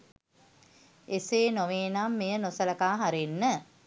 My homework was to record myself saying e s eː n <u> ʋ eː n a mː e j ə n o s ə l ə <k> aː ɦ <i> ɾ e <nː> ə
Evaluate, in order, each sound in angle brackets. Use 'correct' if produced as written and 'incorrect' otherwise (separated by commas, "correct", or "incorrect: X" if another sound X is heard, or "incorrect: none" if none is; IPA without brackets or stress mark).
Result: incorrect: o, correct, incorrect: a, correct